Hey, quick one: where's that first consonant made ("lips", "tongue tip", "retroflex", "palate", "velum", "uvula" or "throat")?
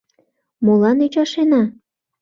lips